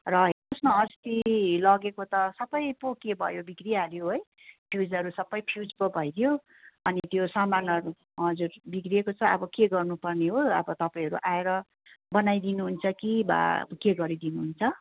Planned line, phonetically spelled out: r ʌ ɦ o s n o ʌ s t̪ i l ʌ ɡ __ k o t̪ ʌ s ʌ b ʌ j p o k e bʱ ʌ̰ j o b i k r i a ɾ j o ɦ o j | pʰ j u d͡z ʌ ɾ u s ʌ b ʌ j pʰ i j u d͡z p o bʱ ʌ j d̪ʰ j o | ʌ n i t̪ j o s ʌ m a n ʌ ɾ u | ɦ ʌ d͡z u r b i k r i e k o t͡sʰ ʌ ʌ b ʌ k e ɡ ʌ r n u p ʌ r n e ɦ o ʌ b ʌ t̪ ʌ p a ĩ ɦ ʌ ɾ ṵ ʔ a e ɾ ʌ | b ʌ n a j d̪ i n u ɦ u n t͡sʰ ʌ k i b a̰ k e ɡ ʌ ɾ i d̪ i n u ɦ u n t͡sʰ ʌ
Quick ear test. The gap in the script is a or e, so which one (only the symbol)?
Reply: e